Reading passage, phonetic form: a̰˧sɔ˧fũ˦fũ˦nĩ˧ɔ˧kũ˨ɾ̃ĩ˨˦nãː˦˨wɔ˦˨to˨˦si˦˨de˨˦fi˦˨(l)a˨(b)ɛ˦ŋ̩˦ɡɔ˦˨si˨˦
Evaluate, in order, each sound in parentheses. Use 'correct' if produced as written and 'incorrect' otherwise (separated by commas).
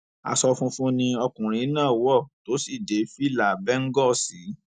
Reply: correct, correct